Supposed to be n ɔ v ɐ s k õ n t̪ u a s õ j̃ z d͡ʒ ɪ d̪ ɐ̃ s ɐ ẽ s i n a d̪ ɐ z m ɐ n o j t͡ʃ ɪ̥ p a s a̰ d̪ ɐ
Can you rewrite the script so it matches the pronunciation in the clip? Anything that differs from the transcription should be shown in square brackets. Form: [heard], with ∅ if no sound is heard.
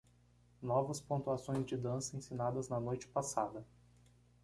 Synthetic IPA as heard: n ɔ v ɐ s [p] õ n t̪ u a s õ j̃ z d͡ʒ ɪ d̪ ɐ̃ s ɐ ẽ s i n a d̪ ɐ z [n] ɐ n o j t͡ʃ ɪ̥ p a s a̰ d̪ ɐ